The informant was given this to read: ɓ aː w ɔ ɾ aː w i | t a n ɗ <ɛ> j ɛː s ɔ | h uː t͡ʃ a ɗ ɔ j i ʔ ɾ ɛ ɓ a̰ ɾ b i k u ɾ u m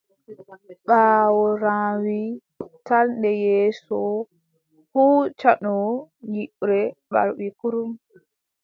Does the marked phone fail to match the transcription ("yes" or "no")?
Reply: no